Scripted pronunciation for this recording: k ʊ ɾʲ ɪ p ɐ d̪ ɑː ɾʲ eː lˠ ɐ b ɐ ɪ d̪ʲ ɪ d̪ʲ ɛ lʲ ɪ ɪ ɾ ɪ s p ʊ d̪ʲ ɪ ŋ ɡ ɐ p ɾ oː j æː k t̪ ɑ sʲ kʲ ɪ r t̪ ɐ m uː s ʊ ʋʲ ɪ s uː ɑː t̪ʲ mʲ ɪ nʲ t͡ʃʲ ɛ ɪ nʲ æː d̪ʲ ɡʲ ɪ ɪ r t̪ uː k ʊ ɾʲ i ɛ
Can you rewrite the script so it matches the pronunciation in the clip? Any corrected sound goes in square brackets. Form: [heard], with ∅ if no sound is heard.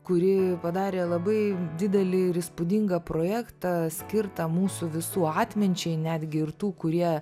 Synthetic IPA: k ʊ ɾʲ ɪ p ɐ d̪ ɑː ɾʲ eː lˠ ɐ b ɐ ɪ d̪ʲ ɪ d̪ʲ ɛ lʲ ɪ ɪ ɾ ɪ s p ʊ d̪ʲ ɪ ŋ ɡ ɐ p ɾ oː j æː k t̪ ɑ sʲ kʲ ɪ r t̪ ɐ m uː s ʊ ʋʲ ɪ s uː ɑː t̪ʲ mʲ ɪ nʲ t͡ʃʲ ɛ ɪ nʲ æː d̪ʲ ɡʲ ɪ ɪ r t̪ uː k ʊ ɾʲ i ɛ